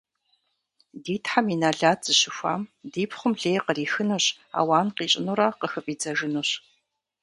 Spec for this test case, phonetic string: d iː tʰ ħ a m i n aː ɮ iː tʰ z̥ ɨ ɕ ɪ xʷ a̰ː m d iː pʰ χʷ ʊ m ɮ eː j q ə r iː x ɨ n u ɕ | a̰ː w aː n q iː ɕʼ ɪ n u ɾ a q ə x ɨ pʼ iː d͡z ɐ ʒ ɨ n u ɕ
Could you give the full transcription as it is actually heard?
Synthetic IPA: d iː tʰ ħ a m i n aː ɮ aː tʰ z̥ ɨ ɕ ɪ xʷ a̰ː m d iː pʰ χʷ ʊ m ɮ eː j q ə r iː x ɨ n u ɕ | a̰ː w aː n q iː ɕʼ ɪ n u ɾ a q ə x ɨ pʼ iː d͡z ɐ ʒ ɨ n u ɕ